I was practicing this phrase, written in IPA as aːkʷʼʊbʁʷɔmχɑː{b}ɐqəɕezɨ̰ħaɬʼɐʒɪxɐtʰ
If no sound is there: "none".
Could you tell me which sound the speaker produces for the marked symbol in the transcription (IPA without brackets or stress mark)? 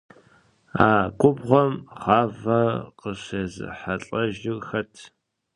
v